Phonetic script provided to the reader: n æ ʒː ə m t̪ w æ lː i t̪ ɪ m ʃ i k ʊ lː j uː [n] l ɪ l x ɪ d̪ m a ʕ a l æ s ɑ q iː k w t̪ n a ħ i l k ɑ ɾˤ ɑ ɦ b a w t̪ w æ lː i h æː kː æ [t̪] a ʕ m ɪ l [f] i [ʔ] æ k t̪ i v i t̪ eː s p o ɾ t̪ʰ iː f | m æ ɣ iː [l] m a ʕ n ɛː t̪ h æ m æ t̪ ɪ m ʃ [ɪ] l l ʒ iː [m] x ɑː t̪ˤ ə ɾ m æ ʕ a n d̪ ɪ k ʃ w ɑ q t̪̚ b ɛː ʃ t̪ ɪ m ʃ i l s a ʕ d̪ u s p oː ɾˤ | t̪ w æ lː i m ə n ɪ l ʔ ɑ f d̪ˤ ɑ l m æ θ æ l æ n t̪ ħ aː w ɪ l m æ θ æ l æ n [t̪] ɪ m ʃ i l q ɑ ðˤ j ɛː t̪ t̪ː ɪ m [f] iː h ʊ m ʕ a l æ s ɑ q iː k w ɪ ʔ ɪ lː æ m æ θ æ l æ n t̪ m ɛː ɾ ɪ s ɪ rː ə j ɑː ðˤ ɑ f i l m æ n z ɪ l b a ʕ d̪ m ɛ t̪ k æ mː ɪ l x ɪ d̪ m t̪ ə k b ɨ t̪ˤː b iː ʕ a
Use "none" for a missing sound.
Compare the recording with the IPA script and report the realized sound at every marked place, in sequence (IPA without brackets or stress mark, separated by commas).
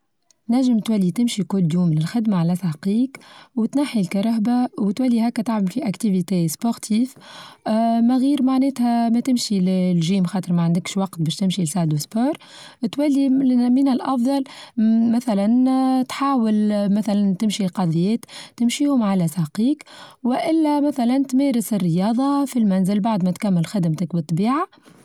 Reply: m, t̪, f, ʔ, ɾ, i, m, t̪, ʃ